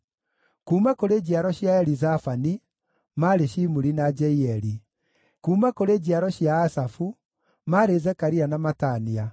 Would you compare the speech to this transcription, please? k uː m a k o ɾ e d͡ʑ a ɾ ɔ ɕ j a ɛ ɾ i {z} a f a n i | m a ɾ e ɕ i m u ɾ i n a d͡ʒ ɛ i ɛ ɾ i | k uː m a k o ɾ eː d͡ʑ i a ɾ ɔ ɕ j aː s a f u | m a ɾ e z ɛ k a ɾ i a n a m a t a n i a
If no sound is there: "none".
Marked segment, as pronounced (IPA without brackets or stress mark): z